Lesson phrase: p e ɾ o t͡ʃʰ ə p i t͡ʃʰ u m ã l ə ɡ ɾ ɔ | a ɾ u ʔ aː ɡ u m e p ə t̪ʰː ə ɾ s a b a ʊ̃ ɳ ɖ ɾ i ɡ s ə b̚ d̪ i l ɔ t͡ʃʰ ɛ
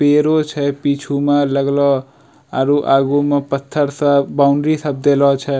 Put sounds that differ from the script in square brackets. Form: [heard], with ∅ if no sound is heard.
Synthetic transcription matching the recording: p e ɾ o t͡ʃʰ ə p i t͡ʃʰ u m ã l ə ɡ [l] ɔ | a ɾ u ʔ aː ɡ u m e p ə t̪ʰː ə ɾ s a b a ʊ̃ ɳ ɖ ɾ i [∅] s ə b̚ d̪ [e] l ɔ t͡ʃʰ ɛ